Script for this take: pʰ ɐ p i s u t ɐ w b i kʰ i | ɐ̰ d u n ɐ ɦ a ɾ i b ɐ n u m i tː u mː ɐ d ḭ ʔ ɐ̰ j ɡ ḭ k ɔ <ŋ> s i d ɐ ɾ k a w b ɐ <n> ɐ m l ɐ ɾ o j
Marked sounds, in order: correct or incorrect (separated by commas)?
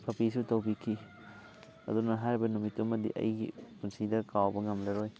incorrect, incorrect